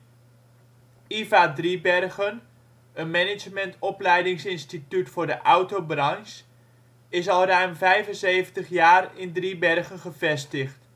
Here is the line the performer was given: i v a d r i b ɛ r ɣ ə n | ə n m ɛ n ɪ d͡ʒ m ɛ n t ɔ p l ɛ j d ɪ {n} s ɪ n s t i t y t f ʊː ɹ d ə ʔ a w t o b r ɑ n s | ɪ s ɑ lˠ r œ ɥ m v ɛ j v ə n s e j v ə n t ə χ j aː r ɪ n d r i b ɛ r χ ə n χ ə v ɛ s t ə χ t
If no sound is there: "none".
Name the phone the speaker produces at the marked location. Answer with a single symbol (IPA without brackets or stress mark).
ŋ